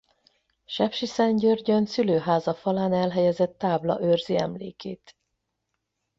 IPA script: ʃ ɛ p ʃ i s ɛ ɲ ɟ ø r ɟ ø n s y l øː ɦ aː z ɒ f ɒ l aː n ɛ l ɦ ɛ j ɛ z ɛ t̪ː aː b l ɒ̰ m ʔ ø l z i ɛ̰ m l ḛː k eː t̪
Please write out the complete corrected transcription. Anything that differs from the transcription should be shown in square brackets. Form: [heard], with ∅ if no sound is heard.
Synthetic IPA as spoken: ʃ ɛ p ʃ i s ɛ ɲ ɟ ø r ɟ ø n s y l øː ɦ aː z ɒ f ɒ l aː n ɛ l ɦ ɛ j ɛ z ɛ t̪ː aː b l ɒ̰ [∅] ʔ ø [r] z i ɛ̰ m l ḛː k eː t̪